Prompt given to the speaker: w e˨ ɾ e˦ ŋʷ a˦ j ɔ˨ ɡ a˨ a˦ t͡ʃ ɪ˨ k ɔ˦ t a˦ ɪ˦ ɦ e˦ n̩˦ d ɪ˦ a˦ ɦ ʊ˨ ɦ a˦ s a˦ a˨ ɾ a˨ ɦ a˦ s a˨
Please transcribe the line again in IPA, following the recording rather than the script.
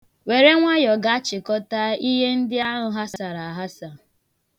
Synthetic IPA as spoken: w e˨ ɾ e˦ ŋʷ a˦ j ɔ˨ ɡ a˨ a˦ t͡ʃ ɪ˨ k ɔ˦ t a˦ i˦ ɦ e˦ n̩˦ d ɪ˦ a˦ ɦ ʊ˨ ɦ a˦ s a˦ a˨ ɾ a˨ ɦ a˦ s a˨